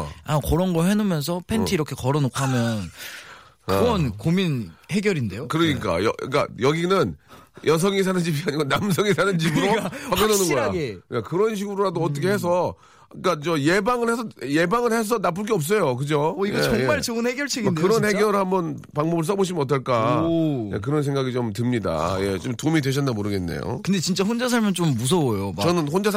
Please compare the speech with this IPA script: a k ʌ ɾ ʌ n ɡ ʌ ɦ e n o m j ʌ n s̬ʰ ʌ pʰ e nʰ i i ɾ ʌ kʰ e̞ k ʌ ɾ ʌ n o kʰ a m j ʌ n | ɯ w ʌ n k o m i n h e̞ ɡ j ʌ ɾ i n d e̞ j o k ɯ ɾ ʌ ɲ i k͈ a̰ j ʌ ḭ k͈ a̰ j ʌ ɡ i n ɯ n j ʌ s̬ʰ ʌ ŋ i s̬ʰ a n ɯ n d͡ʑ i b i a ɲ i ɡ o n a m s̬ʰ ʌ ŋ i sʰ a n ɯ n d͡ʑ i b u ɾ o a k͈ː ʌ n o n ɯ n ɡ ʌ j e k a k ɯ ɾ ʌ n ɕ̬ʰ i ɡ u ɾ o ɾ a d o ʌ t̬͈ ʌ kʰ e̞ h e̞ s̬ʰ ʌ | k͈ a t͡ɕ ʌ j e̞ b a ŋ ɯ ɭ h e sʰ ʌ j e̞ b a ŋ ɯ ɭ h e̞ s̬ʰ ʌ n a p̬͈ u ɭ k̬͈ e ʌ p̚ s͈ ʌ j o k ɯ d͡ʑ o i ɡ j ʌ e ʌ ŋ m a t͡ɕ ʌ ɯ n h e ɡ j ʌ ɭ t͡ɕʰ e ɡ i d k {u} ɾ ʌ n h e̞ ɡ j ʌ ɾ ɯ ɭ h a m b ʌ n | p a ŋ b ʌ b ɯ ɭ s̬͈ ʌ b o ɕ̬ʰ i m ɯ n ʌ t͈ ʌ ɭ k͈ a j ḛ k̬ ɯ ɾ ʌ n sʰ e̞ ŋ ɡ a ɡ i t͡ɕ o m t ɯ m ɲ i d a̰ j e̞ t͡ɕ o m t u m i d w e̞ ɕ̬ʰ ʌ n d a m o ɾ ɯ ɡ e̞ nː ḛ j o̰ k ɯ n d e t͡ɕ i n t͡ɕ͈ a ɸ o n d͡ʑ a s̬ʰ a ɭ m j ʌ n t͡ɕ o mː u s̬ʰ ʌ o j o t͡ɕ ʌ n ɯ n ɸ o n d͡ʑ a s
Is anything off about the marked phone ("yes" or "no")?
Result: yes